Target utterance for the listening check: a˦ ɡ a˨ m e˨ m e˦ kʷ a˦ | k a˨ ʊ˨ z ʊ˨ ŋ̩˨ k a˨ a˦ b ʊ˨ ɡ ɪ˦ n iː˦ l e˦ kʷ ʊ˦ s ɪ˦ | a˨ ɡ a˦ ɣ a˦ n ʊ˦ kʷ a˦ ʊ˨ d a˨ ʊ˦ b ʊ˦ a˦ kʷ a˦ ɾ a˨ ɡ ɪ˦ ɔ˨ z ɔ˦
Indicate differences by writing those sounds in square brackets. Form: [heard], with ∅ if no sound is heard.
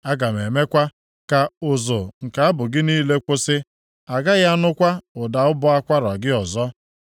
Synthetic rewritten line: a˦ ɡ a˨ m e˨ m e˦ kʷ a˦ | k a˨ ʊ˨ z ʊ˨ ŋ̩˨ k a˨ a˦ b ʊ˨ ɡ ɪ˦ n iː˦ l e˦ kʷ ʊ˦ s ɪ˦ | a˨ ɡ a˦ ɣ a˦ n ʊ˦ kʷ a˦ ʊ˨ d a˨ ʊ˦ b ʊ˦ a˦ kʷ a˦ ɾ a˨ ɡ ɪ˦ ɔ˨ z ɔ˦